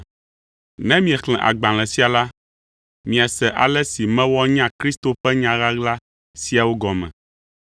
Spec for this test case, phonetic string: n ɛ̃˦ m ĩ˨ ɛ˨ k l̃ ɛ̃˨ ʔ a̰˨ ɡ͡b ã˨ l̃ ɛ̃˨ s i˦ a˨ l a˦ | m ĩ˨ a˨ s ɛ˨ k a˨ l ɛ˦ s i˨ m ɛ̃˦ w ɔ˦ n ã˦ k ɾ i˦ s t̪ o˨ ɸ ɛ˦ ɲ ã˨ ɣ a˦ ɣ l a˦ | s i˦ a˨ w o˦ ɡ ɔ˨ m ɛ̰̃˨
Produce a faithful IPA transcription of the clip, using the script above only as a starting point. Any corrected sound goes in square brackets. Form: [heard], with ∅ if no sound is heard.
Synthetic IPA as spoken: n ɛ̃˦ m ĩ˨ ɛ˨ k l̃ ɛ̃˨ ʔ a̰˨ ɡ͡b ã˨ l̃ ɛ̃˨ s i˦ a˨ l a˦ | m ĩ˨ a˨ s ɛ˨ [ʔ] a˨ l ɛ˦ s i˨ m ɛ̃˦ w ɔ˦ [ɲ] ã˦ k ɾ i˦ s t̪ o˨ ɸ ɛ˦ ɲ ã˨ ɣ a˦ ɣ l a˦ | s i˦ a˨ w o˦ ɡ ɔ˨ m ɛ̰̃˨

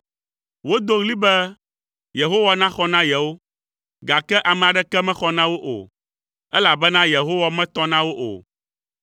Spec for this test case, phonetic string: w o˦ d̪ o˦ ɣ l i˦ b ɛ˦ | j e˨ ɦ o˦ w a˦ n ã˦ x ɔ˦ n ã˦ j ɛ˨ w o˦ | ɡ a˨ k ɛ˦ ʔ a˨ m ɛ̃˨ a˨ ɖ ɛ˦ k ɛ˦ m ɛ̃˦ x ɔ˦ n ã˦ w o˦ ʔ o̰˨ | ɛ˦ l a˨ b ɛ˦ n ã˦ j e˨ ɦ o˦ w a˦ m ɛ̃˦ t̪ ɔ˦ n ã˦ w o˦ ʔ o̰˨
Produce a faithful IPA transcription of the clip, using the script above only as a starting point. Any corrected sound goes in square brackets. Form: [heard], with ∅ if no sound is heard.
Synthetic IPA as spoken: w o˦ d̪ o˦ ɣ l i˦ b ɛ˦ | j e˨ ɦ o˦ w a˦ n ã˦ x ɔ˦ n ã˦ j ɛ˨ w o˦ | ɡ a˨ k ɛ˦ ʔ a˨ m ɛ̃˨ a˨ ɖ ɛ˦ k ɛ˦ m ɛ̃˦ x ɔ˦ n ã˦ w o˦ ʔ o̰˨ | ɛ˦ l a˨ b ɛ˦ n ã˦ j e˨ ɦ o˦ w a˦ m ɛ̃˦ t̪ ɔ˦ n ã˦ w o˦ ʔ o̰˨

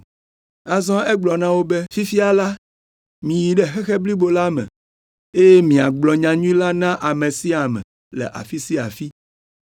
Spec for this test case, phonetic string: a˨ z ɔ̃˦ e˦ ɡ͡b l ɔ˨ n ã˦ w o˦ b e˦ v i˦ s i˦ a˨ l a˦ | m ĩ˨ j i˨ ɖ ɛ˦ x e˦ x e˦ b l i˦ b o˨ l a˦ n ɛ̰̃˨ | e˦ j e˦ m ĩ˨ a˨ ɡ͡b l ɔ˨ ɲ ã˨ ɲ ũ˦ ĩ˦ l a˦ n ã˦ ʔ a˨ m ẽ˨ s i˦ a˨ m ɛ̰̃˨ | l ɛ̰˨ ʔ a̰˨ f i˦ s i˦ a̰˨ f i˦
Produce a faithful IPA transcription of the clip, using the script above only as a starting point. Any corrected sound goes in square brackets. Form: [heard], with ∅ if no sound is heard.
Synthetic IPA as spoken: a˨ z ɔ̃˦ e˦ ɡ͡b l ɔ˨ n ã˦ w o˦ b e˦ [f] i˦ [f] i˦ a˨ l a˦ | m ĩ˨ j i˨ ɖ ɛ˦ x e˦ x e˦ b l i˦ b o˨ l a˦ [m] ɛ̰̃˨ | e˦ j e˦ m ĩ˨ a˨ ɡ͡b l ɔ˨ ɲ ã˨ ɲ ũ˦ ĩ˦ l a˦ n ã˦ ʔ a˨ m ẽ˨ s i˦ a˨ m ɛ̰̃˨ | l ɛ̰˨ ʔ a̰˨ f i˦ s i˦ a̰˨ f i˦

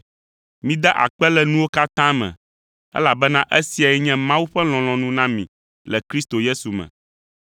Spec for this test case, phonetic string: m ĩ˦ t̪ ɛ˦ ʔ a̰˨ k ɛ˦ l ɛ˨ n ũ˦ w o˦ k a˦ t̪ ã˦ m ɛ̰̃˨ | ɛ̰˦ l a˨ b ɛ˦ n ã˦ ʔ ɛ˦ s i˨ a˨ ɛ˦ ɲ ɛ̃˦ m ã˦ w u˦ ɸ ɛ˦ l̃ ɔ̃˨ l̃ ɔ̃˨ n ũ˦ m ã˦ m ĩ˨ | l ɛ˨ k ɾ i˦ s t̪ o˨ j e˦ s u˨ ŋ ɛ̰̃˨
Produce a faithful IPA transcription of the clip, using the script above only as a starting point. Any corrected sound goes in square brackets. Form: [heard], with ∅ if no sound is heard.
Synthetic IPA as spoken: m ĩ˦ [d̪] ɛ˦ ʔ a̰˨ [k͡p] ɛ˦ l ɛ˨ n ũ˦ w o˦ k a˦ t̪ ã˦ m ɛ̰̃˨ | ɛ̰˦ l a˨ b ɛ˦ n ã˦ ʔ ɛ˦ s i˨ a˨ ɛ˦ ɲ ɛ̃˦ m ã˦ w u˦ ɸ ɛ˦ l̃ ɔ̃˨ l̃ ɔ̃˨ n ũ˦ [n] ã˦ m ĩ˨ | l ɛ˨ k ɾ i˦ s t̪ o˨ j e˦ s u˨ [m] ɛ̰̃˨

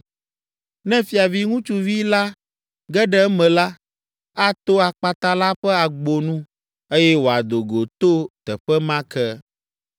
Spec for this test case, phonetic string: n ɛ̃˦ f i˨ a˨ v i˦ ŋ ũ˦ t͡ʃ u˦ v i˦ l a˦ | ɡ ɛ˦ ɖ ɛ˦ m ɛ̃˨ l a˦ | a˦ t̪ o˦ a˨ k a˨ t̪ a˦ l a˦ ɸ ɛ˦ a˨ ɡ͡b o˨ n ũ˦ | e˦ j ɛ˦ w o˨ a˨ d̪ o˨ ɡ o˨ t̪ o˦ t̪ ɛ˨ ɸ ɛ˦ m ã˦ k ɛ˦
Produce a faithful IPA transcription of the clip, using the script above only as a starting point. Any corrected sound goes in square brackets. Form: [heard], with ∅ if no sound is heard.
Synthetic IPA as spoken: n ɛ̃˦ f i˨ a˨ v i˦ ŋ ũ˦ t͡ʃ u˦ v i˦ l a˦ | ɡ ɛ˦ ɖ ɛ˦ m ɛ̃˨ l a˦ | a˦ t̪ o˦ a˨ [k͡p] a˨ t̪ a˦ l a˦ ɸ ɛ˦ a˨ ɡ͡b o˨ n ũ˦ | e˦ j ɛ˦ w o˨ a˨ d̪ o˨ ɡ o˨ t̪ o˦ t̪ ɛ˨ ɸ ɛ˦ m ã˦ k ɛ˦

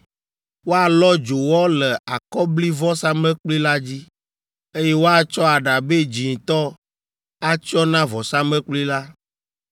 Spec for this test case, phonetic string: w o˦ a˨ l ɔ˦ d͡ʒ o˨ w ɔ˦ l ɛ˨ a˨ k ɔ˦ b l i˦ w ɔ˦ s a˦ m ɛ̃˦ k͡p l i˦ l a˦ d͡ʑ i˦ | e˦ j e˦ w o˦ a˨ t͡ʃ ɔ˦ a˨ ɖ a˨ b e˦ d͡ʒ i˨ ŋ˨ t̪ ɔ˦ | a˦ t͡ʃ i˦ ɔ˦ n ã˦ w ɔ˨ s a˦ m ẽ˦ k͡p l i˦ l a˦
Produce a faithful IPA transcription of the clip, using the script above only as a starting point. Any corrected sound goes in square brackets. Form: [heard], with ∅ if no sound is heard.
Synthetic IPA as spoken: w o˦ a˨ l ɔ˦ d͡ʒ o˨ w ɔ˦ l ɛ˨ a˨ k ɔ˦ b l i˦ [v] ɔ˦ s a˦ m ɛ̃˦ k͡p l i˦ l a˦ d͡ʑ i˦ | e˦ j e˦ w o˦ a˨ t͡ʃ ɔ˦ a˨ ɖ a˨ b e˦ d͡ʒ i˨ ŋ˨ t̪ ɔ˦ | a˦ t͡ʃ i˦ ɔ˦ n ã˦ [v] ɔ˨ s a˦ m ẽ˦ k͡p l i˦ l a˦

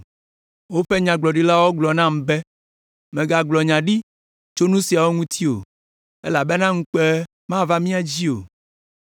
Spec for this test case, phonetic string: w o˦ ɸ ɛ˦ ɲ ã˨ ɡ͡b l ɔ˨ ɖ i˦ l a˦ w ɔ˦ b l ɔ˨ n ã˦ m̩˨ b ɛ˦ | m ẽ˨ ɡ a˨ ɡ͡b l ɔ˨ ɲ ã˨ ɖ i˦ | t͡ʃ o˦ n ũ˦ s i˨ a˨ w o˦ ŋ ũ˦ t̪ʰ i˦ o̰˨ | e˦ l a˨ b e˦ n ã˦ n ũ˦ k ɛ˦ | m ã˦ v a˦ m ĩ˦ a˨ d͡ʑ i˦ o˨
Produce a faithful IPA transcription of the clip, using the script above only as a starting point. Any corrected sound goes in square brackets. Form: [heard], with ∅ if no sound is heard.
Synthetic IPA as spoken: w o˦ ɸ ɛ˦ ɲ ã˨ ɡ͡b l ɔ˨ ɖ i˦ l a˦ w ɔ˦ [ɡ͡b] l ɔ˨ n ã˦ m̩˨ b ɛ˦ | m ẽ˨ ɡ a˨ ɡ͡b l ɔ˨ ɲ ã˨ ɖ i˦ | t͡ʃ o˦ n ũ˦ s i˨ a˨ w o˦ ŋ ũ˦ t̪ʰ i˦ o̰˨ | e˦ l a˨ b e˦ n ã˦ [ŋ] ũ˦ [k͡p] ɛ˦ | m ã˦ v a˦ m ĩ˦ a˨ d͡ʑ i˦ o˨

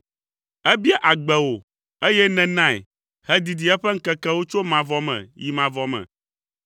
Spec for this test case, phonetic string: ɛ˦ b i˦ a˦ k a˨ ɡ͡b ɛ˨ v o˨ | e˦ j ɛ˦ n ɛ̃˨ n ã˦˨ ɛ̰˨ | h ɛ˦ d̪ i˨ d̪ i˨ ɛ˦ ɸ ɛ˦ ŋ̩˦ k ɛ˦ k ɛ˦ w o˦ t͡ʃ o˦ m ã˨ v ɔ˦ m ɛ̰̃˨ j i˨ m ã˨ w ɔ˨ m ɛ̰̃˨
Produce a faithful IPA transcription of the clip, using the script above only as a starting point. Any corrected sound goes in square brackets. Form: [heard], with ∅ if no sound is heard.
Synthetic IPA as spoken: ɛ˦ b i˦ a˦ [ʔ] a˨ ɡ͡b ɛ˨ [w] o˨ | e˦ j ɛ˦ n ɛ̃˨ n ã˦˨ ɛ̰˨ | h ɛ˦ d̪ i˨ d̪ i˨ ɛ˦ ɸ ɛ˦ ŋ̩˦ k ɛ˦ k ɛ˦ w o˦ t͡ʃ o˦ m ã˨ v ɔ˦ m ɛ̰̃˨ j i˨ m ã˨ [v] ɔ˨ m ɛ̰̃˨

